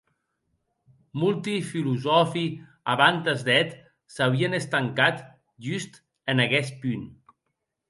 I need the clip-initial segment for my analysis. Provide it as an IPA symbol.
m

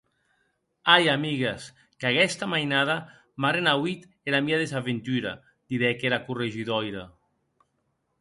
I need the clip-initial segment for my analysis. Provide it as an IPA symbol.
a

